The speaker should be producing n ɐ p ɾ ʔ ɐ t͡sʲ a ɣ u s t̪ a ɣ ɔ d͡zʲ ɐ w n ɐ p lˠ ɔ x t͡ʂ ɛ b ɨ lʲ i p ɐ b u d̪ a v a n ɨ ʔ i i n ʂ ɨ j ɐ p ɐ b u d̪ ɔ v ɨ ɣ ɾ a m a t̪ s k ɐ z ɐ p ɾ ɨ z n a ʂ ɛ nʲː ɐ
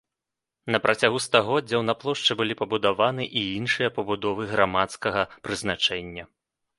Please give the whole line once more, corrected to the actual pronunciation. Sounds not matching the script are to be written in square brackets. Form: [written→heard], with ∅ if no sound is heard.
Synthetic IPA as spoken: n ɐ p ɾ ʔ ɐ t͡sʲ a ɣ u s t̪ a ɣ ɔ d͡zʲ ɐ w n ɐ p lˠ ɔ [x→ʂ] t͡ʂ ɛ b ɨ lʲ i p ɐ b u d̪ a v a n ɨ ʔ i i n ʂ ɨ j ɐ p ɐ b u d̪ ɔ v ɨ ɣ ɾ a m a t̪ s k ɐ [z→ɣ] ɐ p ɾ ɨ z n a [ʂ→t͡ʂ] ɛ nʲː ɐ